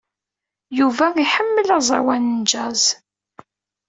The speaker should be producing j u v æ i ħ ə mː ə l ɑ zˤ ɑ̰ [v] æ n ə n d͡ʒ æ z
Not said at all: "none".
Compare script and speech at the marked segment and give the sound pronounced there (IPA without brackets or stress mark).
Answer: w